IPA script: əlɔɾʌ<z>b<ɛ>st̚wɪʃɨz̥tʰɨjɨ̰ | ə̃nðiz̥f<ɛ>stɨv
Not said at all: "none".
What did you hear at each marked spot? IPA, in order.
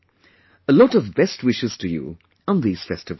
v, ɛ, ɛ

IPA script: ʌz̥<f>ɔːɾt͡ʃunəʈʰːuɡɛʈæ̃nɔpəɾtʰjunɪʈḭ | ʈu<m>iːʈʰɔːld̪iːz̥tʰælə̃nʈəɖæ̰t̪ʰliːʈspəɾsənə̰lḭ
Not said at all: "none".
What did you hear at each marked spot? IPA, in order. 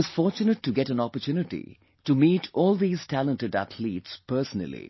f, m

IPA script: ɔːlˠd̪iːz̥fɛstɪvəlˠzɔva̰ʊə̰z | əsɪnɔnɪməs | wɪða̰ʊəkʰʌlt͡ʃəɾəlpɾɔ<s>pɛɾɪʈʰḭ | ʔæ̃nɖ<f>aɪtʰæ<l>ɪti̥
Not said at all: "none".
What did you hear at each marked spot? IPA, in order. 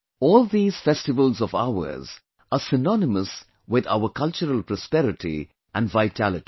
s, v, l

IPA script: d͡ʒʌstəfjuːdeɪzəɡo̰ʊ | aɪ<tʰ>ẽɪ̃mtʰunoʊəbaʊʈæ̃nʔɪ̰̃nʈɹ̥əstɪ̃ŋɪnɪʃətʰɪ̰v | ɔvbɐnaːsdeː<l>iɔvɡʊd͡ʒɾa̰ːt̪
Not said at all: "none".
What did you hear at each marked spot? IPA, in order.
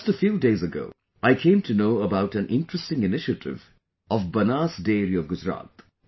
kʰ, ɾ

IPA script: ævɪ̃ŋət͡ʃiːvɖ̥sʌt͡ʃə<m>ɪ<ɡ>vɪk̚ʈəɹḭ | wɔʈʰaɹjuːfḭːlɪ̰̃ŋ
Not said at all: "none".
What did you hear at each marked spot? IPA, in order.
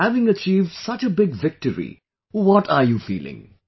b, ɡ

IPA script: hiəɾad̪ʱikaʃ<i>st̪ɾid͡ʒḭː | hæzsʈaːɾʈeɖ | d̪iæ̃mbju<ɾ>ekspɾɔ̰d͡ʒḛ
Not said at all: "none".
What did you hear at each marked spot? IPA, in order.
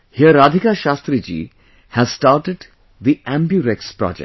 a, ɾ

